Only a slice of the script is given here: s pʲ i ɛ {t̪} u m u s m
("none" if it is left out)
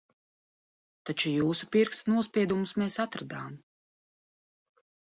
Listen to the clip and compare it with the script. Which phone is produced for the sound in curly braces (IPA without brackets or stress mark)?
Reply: d̪